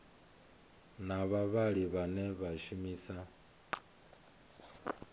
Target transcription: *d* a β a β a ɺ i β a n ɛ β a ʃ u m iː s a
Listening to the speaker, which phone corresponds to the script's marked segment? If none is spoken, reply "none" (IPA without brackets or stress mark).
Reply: n